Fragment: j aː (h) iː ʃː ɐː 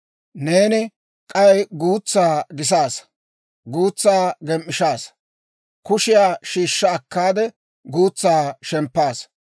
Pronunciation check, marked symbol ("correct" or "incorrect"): incorrect